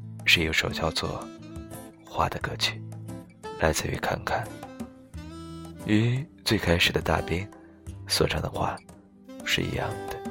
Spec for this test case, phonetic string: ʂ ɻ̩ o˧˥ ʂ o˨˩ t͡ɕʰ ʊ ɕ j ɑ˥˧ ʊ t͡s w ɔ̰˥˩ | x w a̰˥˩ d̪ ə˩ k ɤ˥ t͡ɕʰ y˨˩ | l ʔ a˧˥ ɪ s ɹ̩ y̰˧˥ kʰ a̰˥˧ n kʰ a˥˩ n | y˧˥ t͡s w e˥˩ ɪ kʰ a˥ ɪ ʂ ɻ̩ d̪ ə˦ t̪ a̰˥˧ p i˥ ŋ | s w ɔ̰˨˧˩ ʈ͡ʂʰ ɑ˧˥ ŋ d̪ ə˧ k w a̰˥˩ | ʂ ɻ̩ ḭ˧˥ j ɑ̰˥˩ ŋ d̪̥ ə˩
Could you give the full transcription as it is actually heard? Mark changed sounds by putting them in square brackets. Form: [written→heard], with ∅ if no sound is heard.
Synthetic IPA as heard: ʂ ɻ̩ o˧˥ ʂ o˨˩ [t͡ɕʰ→∅] ʊ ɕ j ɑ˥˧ ʊ t͡s w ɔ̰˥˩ | x w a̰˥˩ d̪ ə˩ k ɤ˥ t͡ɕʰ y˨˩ | l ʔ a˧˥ ɪ [s→t͡s] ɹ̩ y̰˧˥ kʰ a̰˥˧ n kʰ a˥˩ n | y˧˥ t͡s w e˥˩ ɪ kʰ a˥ ɪ ʂ ɻ̩ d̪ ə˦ t̪ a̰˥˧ p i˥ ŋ | s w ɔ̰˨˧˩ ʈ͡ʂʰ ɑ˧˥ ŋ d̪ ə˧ [k→x] w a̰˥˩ | ʂ ɻ̩ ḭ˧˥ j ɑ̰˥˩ ŋ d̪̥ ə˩